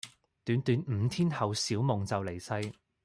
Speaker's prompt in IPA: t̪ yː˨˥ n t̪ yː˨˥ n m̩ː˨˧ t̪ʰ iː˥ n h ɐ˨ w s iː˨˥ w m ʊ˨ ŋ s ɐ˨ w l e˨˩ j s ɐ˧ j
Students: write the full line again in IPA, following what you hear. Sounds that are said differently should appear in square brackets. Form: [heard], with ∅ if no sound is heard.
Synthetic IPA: t̪ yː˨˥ n t̪ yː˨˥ n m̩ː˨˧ t̪ʰ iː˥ n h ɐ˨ w s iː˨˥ w m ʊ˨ ŋ [t͡s] ɐ˨ w l e˨˩ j s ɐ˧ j